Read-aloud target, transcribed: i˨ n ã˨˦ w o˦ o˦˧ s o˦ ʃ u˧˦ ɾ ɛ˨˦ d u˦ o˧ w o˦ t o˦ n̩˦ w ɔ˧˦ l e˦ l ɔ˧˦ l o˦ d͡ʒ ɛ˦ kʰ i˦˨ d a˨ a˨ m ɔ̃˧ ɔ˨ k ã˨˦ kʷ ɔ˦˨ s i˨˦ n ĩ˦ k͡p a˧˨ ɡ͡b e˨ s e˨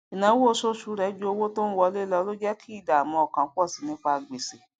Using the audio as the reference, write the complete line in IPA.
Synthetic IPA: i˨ n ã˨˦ w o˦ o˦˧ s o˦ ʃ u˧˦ ɾ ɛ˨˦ d͡ʒ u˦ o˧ w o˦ t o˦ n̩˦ w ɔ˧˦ l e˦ l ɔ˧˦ l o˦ d͡ʒ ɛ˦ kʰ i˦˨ d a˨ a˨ m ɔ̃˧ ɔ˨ k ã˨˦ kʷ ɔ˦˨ s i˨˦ n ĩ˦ k͡p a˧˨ ɡ͡b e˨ s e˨